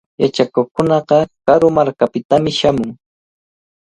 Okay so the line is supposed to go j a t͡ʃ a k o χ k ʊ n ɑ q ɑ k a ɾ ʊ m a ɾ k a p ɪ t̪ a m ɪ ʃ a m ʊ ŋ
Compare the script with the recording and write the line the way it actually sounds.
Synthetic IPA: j a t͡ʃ a k o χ k ʊ n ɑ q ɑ k a ɾ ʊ m a ɾ k a p ɪ t̪ a m ɪ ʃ a m ʊ ŋ